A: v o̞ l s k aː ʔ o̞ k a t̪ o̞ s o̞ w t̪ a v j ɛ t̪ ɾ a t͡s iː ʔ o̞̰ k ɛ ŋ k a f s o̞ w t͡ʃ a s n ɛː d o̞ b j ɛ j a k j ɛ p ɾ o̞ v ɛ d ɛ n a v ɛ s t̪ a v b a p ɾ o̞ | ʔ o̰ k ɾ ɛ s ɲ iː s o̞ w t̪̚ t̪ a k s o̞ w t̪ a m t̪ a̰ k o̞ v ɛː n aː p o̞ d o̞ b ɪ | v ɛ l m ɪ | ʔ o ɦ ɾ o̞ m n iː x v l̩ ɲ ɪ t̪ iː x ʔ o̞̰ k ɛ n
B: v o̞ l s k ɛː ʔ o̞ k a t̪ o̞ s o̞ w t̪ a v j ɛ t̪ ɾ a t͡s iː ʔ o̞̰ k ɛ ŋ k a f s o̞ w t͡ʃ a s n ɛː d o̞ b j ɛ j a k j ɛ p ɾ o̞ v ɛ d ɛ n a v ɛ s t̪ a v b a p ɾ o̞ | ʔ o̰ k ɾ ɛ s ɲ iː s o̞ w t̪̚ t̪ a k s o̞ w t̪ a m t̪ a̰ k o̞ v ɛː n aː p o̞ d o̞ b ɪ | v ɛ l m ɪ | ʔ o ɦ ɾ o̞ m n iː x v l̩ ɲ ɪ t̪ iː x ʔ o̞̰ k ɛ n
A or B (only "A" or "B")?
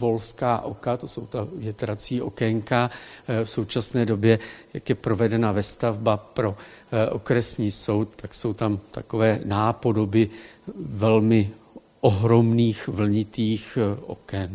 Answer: A